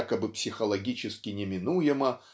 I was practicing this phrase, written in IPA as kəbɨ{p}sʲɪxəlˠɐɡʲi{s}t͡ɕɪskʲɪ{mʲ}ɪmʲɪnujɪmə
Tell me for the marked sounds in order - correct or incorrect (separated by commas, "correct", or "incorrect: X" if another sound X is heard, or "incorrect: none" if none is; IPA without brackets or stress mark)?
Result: correct, incorrect: none, incorrect: nʲ